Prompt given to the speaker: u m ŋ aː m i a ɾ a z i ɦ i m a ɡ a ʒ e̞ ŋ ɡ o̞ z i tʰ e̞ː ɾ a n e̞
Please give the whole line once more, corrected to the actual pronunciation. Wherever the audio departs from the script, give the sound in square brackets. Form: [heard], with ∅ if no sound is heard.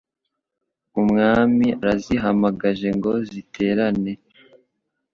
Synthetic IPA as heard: u m ŋ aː m i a ɾ a z i ɦ [a] m a ɡ a ʒ e̞ ŋ ɡ o̞ z i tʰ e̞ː ɾ a n e̞